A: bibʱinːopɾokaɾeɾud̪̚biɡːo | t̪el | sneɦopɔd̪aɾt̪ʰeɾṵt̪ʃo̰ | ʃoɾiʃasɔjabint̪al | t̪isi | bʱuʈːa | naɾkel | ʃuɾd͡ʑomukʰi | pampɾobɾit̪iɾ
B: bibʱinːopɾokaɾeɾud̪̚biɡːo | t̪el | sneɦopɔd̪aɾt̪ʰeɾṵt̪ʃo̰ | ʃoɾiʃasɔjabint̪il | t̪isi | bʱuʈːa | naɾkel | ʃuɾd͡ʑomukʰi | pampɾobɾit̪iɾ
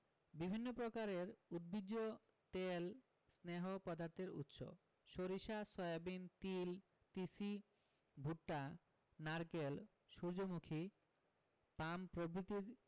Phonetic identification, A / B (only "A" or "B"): B